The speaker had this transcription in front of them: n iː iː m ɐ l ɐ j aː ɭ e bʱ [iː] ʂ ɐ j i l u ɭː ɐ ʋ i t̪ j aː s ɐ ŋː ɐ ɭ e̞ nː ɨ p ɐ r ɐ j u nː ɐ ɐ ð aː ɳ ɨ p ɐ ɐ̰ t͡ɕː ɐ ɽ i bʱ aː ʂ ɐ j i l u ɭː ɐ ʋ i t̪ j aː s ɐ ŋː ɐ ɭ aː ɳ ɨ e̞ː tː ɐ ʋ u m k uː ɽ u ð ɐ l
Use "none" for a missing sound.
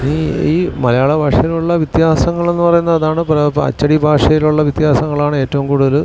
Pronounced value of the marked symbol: aː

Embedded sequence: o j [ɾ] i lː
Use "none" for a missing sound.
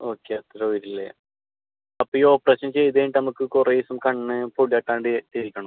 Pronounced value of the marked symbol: ɾ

